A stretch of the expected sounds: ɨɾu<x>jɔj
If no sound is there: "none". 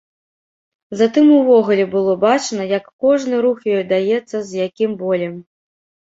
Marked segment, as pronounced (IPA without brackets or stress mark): x